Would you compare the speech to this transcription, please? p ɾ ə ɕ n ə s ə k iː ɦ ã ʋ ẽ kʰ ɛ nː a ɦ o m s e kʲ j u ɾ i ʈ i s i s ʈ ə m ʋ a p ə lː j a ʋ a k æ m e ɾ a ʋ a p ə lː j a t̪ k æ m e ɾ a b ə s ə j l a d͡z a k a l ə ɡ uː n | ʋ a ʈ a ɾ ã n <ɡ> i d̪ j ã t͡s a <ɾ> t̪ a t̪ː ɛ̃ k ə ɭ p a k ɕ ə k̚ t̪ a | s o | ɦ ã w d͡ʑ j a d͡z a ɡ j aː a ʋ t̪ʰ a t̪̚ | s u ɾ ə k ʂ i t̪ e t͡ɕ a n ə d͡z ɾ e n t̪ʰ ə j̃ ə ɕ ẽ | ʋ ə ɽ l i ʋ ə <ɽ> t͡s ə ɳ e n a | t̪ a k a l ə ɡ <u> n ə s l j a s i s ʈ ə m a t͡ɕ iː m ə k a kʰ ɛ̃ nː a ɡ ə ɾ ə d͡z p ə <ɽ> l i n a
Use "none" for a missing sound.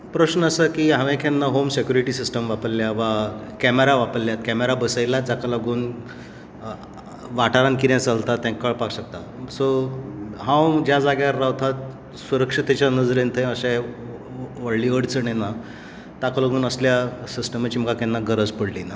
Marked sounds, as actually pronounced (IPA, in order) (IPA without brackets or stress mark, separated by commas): k, l, ɽ, uː, ɽ